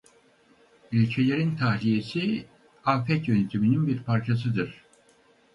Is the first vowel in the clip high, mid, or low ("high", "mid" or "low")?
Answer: high